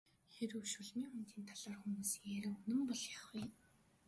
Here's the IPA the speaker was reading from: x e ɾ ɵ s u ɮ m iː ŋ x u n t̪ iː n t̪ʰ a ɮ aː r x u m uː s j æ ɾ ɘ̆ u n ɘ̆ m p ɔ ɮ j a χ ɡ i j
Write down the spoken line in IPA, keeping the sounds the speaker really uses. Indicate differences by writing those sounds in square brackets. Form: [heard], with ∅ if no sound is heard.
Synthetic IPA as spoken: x e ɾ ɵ [ʃ] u ɮ m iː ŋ x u n t̪ iː n t̪ʰ a ɮ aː r x u m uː s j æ ɾ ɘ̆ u n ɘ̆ m p ɔ ɮ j a χ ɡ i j